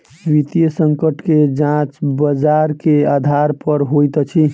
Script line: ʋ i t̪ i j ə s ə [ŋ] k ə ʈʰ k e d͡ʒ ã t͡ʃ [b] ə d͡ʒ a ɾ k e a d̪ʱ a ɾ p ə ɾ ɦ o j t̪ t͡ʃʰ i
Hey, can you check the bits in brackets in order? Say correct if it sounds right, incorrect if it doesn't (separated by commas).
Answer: correct, correct